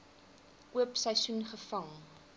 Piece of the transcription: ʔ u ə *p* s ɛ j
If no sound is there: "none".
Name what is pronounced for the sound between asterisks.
p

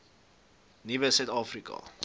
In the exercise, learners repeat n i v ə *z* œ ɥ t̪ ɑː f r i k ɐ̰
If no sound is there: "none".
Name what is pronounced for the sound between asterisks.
s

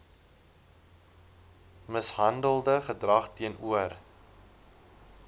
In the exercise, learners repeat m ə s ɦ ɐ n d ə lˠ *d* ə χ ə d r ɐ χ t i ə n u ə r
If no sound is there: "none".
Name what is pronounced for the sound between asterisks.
d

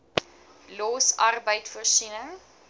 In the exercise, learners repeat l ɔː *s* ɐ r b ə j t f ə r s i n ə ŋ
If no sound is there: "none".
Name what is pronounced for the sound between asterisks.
s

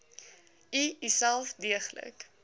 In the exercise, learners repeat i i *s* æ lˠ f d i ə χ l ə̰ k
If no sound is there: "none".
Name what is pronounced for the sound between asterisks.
s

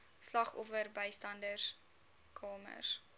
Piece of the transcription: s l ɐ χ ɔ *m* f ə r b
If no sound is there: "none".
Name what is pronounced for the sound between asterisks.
none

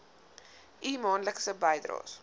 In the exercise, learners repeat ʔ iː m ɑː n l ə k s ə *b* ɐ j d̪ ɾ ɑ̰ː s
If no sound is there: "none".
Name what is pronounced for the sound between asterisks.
b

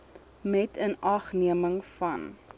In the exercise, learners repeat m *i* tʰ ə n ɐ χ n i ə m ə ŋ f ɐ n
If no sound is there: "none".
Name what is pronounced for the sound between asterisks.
ɛ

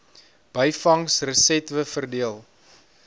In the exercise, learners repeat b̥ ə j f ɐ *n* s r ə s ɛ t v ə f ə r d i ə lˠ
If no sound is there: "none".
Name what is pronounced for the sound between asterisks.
ŋ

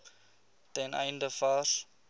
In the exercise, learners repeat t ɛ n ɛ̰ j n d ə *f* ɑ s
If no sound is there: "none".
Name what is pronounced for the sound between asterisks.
f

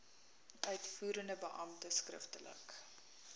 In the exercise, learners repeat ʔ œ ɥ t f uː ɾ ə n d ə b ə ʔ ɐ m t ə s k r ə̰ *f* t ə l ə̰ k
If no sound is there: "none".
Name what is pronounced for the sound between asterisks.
f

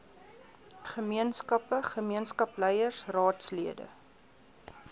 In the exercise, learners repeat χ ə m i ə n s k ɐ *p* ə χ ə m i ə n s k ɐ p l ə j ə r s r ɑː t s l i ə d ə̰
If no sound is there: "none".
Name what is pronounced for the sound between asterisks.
p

